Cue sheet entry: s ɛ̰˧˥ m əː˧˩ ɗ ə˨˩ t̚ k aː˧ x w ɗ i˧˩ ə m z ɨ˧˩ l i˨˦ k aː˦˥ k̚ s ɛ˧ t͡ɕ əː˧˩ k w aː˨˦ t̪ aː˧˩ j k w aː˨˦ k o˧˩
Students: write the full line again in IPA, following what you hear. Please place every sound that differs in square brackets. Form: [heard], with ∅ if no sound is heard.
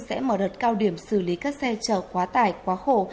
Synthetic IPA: s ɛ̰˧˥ m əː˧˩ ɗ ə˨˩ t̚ k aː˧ [∅] w ɗ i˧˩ ə m [s] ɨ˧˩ l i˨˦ k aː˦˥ k̚ s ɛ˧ t͡ɕ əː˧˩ k w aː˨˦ t̪ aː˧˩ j k w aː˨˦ [x] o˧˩

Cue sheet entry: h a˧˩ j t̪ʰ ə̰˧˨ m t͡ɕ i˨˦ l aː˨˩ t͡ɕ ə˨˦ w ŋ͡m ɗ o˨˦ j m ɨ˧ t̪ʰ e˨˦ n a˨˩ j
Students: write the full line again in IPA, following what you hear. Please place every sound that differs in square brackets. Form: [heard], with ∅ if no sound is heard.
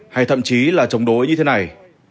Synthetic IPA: h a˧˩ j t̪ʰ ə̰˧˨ m t͡ɕ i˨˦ l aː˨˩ t͡ɕ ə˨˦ w ŋ͡m ɗ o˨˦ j [ɲ] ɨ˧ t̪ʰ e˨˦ n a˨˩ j

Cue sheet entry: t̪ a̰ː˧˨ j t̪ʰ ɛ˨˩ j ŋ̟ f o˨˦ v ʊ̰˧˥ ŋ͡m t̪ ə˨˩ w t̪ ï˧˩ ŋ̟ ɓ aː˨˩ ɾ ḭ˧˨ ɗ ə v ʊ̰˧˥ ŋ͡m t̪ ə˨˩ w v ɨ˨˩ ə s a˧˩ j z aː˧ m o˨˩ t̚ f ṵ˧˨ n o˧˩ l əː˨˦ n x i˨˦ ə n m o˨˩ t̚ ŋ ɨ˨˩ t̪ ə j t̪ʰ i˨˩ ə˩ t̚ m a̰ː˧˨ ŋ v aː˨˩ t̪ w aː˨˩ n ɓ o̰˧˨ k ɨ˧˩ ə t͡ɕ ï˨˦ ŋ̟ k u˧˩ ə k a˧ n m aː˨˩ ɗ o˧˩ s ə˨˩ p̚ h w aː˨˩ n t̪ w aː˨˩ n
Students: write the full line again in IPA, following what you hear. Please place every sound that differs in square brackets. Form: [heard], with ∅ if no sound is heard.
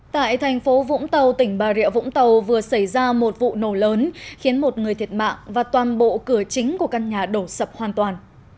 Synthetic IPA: t̪ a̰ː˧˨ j t̪ʰ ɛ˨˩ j ŋ̟ f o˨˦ v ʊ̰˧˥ ŋ͡m t̪ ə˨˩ w t̪ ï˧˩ ŋ̟ ɓ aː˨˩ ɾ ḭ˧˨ [∅] ə v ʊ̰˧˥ ŋ͡m t̪ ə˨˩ w v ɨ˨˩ ə s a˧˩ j z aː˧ m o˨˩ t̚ [v] ṵ˧˨ n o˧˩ l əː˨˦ n x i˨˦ ə n m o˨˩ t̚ ŋ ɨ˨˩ [∅] ə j t̪ʰ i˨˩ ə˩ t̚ m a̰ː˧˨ ŋ v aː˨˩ t̪ w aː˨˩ n ɓ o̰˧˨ k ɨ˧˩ ə t͡ɕ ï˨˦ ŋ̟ k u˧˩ ə k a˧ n [ɲ] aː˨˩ ɗ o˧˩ s ə˨˩ p̚ h w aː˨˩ n t̪ w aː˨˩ n

